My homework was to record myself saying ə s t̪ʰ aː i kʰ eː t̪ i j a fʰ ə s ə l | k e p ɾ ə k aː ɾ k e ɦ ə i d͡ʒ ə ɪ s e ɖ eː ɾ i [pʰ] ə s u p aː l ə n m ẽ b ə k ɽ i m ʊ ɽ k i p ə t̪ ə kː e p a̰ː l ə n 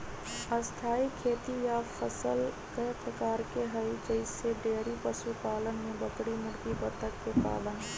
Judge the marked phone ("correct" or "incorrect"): incorrect